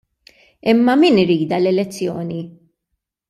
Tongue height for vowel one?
high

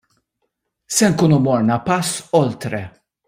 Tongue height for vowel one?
mid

